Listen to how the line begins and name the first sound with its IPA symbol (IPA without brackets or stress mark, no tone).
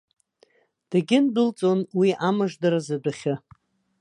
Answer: d̥